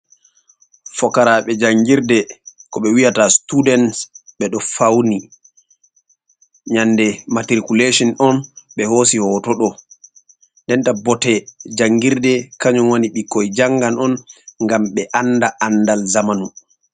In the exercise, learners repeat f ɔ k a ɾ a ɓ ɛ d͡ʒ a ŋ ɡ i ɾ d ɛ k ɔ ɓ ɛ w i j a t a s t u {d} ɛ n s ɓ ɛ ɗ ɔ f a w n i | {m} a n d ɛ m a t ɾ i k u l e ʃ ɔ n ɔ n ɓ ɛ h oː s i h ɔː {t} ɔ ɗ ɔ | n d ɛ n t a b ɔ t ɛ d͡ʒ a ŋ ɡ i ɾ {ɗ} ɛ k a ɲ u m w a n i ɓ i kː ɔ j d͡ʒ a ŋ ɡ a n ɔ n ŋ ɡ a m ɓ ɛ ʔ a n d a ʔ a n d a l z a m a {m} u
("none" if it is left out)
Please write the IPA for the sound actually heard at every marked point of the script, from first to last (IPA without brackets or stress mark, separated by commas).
d, ɲ, t, d, n